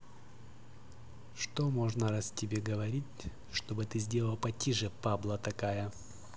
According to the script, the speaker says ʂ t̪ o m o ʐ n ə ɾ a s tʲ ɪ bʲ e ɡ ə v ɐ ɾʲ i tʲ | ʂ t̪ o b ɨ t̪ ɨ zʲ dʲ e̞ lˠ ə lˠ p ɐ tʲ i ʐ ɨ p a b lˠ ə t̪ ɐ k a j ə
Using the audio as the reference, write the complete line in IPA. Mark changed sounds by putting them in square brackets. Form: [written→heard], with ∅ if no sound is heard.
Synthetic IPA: ʂ t̪ o m o ʐ n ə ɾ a s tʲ ɪ bʲ e ɡ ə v ɐ ɾʲ i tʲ | ʂ t̪ o b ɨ t̪ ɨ zʲ dʲ e̞ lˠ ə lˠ p ɐ tʲ i ʐ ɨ p a b lˠ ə t̪ ɐ k a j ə